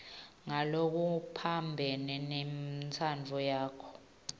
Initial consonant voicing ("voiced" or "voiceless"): voiced